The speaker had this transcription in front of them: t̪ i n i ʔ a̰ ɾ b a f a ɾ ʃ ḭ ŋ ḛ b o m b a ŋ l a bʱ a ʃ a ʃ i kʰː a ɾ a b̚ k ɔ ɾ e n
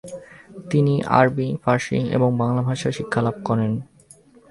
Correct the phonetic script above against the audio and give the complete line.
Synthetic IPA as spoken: t̪ i n i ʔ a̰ ɾ b i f a ɾ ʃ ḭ ŋ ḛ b o ŋ b a ŋ l a bʱ a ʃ a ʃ i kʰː a l a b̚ k ɔ ɾ e n